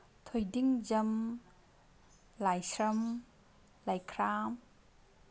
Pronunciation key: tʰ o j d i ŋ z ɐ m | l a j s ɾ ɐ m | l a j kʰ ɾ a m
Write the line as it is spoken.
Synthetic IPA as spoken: tʰ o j d i ŋ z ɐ m | l a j s ɾ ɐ m | l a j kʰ ɾ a m